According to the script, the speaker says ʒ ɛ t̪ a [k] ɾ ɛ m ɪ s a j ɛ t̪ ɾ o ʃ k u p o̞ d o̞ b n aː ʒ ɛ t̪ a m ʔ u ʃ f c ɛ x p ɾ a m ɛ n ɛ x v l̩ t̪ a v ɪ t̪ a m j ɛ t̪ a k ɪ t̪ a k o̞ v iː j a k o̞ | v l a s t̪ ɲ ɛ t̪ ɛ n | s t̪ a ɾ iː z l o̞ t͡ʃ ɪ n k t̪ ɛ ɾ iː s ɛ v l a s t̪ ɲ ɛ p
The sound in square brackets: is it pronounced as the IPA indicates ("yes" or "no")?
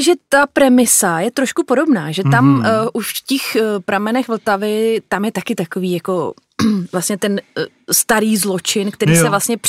no